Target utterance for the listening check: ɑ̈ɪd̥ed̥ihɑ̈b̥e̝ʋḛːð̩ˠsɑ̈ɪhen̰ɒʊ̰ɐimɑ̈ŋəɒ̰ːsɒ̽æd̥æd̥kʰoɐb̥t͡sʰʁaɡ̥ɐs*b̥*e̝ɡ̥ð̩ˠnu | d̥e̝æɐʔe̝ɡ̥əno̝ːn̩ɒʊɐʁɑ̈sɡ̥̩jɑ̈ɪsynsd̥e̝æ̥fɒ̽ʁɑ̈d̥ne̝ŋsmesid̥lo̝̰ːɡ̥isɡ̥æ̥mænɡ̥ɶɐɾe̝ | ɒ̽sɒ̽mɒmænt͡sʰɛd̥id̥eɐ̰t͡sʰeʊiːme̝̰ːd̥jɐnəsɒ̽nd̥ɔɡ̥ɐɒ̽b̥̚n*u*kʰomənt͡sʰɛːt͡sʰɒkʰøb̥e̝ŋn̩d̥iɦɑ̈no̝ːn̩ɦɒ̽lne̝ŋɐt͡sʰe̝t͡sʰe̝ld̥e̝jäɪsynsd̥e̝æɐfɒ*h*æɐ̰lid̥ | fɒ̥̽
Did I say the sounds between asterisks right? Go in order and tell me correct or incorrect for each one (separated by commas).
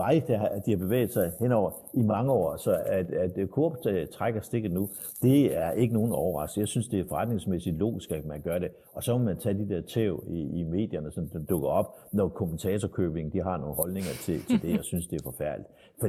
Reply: incorrect, incorrect, incorrect